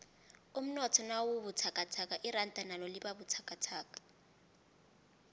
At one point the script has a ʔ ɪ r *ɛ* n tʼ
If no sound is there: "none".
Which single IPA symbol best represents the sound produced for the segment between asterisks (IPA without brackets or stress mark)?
a